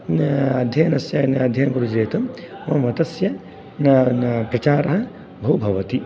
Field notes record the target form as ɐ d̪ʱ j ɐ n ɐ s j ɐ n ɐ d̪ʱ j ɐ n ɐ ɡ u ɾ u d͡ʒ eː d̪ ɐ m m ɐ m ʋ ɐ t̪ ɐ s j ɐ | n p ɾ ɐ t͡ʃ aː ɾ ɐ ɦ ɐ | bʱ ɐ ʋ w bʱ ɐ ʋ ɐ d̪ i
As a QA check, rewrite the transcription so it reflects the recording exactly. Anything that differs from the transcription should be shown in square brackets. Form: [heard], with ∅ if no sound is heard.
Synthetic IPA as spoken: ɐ d̪ʱ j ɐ n ɐ s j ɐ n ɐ d̪ʱ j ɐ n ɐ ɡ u ɾ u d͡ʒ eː [t̪] ɐ m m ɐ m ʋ ɐ t̪ ɐ s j ɐ | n p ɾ ɐ t͡ʃ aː ɾ ɐ ɦ ɐ | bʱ ɐ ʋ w bʱ ɐ ʋ ɐ [t̪] i

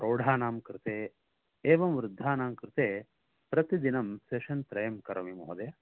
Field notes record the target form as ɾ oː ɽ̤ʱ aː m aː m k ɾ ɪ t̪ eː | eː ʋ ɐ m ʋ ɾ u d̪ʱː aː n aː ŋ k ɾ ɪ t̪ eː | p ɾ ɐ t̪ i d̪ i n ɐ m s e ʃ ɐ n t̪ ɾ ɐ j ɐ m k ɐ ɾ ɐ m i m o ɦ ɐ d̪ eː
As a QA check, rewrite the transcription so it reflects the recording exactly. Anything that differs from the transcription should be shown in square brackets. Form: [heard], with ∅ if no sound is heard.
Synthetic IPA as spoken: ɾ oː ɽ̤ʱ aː [n] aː m k ɾ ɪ t̪ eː | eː ʋ ɐ m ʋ ɾ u d̪ʱː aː n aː [m] k ɾ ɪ t̪ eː | p ɾ ɐ t̪ i d̪ i n ɐ m s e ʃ ɐ n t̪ ɾ ɐ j ɐ m k ɐ ɾ ɐ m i m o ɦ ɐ d̪ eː

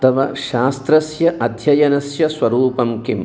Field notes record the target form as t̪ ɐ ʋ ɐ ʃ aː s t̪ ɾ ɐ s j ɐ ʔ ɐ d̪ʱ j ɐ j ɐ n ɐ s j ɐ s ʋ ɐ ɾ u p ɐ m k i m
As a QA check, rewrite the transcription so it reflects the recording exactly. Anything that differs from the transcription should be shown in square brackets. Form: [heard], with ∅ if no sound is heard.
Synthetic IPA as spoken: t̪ ɐ ʋ ɐ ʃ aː s t̪ ɾ ɐ s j ɐ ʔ ɐ d̪ʱ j ɐ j ɐ n ɐ s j ɐ s ʋ ɐ ɾ [uː] p ɐ m k i m

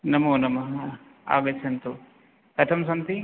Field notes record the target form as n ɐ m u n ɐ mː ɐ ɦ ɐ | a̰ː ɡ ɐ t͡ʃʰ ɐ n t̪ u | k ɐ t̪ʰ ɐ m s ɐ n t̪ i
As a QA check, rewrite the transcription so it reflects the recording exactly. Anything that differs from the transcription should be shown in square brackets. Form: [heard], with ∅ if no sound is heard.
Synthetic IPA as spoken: n ɐ m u n ɐ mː ɐ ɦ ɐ | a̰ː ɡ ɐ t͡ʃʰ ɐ n t̪ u | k ɐ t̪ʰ ɐ m s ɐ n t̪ i

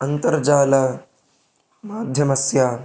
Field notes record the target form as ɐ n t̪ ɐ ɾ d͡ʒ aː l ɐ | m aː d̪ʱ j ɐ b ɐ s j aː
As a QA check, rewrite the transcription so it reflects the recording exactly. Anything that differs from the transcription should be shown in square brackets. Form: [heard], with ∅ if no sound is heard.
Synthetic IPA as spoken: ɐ n t̪ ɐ ɾ d͡ʒ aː l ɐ | m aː d̪ʱ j ɐ [m] ɐ s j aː

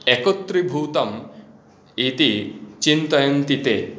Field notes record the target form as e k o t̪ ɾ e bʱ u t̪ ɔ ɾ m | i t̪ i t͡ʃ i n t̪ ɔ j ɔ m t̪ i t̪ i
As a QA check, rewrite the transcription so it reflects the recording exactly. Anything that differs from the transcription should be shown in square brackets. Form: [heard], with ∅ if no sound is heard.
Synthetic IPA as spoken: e k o t̪ ɾ [i] bʱ u t̪ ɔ [∅] m | i t̪ i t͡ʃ i n t̪ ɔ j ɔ [n] t̪ i t̪ [e]

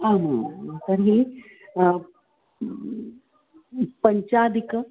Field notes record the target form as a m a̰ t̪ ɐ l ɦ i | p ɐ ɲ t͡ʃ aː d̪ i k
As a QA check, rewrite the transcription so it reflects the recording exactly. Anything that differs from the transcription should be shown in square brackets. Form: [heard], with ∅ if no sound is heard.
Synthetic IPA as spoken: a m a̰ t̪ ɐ [ɾ] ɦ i | p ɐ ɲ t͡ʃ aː d̪ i k

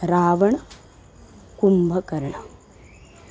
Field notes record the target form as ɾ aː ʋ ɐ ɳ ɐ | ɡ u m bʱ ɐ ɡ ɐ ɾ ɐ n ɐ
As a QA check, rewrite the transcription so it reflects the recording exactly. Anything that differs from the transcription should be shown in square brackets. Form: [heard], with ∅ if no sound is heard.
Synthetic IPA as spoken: ɾ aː ʋ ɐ ɳ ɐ | [k] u m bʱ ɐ [k] ɐ ɾ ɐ [ɳ] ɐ

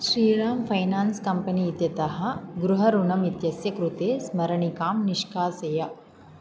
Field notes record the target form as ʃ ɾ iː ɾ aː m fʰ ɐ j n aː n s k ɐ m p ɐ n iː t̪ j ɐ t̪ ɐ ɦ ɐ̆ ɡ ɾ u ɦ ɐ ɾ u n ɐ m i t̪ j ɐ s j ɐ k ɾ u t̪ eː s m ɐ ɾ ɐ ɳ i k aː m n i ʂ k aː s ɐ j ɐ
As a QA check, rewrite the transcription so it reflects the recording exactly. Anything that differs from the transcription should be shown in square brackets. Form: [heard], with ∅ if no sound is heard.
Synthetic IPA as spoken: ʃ ɾ iː ɾ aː m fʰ ɐ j n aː n s k ɐ m p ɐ n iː t̪ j ɐ t̪ ɐ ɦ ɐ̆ ɡ ɾ u ɦ ɐ ɾ u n ɐ m i t̪ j ɐ s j ɐ k ɾ u t̪ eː s m ɐ ɾ ɐ ɳ i k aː m n i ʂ k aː s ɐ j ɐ

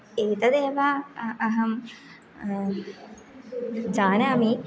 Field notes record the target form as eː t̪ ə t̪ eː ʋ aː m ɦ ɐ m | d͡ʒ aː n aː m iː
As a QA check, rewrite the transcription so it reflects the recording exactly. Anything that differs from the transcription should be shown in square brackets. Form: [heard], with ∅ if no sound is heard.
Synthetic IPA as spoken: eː t̪ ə [d̪] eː ʋ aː [∅] ɦ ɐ m | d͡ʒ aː n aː m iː

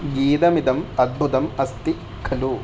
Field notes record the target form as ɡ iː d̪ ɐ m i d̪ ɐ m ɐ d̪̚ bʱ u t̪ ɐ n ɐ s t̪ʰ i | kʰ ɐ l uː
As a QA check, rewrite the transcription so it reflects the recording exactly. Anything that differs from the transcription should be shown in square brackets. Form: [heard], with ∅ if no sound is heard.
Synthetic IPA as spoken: ɡ iː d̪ ɐ m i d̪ ɐ m ɐ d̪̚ bʱ u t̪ ɐ [m] ɐ s [t̪] i | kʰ ɐ l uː

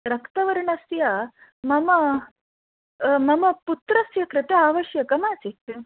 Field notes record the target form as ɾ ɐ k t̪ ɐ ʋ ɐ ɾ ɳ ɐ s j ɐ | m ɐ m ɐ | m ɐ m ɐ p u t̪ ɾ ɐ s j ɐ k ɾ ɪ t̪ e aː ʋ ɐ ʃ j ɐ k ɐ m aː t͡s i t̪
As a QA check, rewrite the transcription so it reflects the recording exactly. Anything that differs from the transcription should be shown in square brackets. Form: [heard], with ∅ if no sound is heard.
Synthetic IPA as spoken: ɾ ɐ k t̪ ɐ ʋ ɐ ɾ ɳ ɐ s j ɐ | m ɐ m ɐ | m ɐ m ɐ p u t̪ ɾ ɐ s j ɐ k ɾ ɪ t̪ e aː ʋ ɐ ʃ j ɐ k ɐ m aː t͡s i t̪

